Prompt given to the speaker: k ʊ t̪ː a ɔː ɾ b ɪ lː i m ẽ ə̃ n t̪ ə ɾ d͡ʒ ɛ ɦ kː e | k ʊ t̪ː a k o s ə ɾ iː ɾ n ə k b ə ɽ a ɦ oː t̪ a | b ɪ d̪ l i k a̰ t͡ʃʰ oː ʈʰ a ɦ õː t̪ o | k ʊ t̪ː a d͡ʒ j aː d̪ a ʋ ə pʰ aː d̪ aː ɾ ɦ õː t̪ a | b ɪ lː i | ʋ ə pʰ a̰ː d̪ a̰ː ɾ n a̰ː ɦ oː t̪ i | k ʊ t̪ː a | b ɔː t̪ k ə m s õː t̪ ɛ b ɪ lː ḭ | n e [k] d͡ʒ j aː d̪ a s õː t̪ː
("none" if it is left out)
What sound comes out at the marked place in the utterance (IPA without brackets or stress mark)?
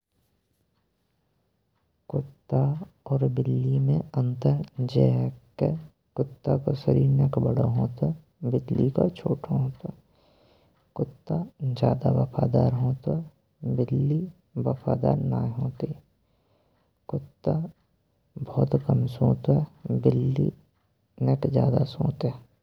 k